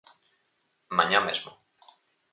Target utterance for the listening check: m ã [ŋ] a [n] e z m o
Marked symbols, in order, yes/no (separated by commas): no, no